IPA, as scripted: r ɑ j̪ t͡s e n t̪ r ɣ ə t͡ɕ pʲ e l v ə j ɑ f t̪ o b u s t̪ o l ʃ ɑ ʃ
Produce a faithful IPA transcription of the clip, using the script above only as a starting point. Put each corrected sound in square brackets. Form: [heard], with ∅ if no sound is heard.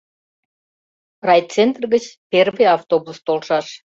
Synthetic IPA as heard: r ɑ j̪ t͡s e n t̪ r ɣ ə t͡ɕ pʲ e [r] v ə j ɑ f t̪ o b u s t̪ o l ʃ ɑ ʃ